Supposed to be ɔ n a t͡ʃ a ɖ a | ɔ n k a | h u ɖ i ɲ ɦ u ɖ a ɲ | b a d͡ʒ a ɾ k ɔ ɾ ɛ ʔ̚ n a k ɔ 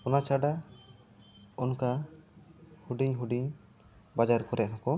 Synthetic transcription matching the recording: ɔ n a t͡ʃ a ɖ a | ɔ n k a | h u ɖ i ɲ ɦ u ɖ i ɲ | b a d͡ʒ a ɾ k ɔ ɾ ɛ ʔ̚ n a k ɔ

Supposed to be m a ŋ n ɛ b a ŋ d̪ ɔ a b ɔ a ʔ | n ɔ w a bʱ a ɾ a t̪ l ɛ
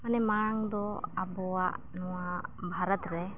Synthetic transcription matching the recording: m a n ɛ m a ŋ d̪ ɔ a b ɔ a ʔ | n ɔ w a bʱ a ɾ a t̪ ɾ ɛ

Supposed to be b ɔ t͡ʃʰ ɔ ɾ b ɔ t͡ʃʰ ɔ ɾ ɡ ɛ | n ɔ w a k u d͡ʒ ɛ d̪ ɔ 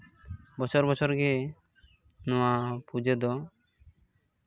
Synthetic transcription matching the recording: b ɔ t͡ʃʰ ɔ ɾ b ɔ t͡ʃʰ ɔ ɾ ɡ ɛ | n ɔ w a p u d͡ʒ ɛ d̪ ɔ

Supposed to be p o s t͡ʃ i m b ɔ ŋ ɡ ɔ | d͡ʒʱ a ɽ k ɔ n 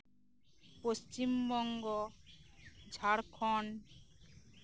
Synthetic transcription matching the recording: p o s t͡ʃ i m b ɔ ŋ ɡ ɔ | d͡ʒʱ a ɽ kʰ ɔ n

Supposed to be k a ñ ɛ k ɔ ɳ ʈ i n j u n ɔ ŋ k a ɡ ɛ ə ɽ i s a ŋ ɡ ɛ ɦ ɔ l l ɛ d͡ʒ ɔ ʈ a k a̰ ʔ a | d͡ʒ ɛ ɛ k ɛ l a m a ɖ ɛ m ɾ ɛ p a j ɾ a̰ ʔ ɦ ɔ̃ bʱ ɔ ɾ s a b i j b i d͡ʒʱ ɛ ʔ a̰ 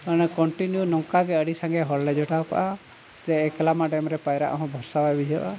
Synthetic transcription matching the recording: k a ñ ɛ k ɔ ɳ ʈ i n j u n ɔ ŋ k a ɡ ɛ ə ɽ i s a ŋ ɡ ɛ ɦ ɔ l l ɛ d͡ʒ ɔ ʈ a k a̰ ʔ a | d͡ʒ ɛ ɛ k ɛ l a m a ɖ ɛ m ɾ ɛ p a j ɾ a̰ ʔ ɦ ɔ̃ bʱ ɔ ɾ s a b a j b i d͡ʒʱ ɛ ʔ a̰

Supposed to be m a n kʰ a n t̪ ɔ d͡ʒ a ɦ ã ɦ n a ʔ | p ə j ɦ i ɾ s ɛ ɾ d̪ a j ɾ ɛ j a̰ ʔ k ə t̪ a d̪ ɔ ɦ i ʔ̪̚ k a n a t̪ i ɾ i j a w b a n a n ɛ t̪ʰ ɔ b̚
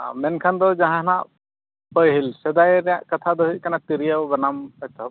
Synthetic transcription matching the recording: m ɛ n kʰ a n d̪ ɔ d͡ʒ a ɦ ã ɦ n a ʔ | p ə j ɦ i l s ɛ d̪ a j ɾ ɛ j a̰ ʔ k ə t̪ʰ a d̪ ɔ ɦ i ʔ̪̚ k a n a t̪ i ɾ i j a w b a n a m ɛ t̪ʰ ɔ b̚

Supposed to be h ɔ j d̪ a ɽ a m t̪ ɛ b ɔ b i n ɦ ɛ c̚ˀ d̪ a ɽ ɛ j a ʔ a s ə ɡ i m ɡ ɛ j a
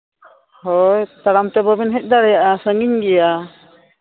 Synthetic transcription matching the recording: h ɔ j t̪ a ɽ a m t̪ ɛ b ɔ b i n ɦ ɛ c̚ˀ d̪ a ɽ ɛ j a ʔ a s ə ŋ i ɲ ɡ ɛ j a

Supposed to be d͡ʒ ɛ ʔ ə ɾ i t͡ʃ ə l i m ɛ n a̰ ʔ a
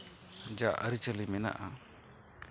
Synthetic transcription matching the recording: d͡ʒ a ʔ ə ɾ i t͡ʃ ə l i m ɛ n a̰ ʔ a

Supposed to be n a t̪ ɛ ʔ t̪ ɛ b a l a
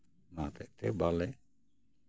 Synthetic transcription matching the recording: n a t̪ ɛ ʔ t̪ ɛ b a l ɛ

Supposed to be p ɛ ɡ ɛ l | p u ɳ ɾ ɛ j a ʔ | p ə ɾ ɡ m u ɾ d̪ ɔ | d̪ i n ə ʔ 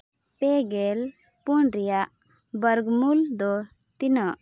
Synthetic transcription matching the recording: p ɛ ɡ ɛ l | p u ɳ ɾ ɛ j a ʔ | b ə ɾ ɡ m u l d̪ ɔ | t̪ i n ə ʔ

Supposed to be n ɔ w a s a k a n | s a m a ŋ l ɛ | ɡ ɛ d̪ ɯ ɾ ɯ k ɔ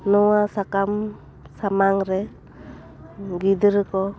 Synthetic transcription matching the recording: n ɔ w a s a k a m | s a m a ŋ ɾ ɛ | ɡ i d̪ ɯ ɾ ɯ k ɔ

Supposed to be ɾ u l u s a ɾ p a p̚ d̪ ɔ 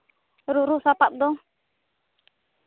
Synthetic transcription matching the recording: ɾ u ɾ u s a p a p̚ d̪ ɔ

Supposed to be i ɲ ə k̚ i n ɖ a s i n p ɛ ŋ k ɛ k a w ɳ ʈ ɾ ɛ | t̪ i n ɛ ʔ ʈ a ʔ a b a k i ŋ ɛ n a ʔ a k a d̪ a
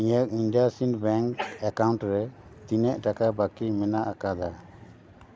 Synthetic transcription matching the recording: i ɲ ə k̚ i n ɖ a s i n b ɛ ŋ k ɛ k a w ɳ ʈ ɾ ɛ | t̪ i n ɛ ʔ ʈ a k a b a k i m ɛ n a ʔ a k a d̪ a

